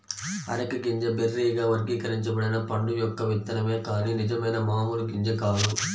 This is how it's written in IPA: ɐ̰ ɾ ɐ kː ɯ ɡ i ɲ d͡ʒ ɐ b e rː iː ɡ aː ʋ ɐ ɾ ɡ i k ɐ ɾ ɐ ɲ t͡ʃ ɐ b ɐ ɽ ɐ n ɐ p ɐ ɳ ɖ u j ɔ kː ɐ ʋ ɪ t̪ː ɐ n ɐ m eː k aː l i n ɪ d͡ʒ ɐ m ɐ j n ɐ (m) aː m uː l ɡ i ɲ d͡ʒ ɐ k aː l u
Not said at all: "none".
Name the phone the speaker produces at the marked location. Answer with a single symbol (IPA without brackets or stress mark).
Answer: m